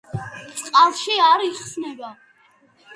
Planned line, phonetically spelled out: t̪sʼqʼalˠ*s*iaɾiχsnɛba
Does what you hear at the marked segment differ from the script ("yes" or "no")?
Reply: yes